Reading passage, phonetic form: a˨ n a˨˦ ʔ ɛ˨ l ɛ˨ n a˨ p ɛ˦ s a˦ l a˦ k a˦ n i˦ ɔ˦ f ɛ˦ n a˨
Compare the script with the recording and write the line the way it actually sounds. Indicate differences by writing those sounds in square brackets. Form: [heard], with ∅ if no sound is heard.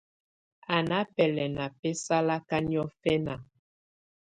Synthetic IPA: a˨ n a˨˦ [p] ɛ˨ l ɛ˨ n a˨ p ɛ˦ s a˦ l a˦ k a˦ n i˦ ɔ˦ f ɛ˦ n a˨